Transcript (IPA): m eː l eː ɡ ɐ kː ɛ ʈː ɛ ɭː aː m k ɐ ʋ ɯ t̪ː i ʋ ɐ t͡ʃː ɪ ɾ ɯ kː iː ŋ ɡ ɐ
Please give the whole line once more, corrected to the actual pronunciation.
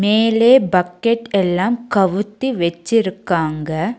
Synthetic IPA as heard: m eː l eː b ɐ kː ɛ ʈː ɛ lː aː m k ɐ ʋ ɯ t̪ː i ʋ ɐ t͡ʃː ɪ ɾ ɯ kː aː ŋ ɡ ɐ